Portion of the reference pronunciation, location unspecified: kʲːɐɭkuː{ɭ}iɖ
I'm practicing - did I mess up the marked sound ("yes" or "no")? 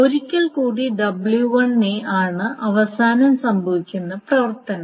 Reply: yes